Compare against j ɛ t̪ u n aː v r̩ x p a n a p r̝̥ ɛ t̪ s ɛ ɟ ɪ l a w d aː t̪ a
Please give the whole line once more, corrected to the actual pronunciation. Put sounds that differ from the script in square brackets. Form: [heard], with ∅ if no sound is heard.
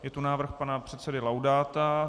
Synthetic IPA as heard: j ɛ t̪ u n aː v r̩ x p a n a p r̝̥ ɛ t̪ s ɛ [d] ɪ l a w d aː t̪ a